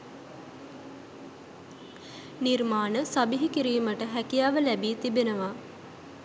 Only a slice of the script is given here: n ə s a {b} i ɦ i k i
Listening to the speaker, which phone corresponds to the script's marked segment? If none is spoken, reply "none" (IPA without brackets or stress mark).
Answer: b